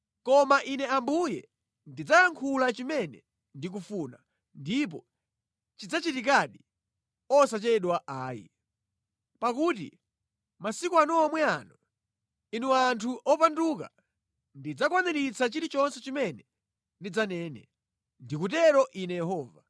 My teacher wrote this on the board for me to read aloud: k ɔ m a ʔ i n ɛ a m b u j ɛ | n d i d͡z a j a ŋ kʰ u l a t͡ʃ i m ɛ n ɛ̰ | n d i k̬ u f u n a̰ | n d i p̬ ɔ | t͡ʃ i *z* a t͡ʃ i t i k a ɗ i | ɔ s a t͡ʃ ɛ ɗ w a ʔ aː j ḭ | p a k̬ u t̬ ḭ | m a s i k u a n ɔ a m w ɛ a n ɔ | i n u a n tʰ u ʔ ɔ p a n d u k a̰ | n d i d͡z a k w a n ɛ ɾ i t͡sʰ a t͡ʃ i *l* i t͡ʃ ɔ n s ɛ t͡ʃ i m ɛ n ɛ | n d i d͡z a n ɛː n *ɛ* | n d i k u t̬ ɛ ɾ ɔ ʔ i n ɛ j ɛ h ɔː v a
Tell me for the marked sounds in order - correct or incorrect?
incorrect: d͡z, incorrect: ɾ, correct

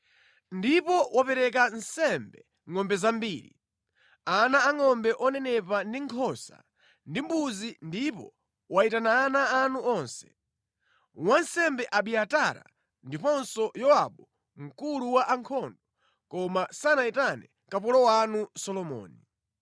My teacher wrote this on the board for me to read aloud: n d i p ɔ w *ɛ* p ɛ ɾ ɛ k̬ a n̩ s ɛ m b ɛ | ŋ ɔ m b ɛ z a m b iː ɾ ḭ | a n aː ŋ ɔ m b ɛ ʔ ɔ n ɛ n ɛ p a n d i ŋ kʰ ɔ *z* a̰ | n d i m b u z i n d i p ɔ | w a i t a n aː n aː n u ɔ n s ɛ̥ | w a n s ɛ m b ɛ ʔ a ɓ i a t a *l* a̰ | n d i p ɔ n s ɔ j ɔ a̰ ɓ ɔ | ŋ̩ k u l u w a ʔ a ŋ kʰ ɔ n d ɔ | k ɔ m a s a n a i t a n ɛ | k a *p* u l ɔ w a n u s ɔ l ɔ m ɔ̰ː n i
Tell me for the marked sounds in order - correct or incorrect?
incorrect: a, incorrect: s, incorrect: ɾ, correct

